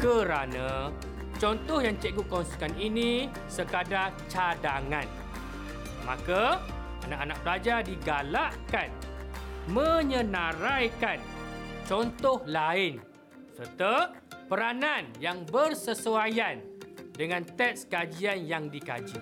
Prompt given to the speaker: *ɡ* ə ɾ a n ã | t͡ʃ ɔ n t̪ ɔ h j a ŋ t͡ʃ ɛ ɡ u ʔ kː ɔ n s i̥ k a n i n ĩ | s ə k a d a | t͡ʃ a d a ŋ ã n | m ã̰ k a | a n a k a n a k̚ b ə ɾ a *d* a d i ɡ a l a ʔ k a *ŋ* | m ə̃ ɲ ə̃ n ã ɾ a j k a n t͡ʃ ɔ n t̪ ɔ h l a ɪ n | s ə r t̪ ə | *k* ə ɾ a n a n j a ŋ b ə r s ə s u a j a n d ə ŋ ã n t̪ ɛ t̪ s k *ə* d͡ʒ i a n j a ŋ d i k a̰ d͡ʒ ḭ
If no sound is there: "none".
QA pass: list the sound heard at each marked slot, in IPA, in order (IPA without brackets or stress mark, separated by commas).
k, d͡ʒ, n, p, a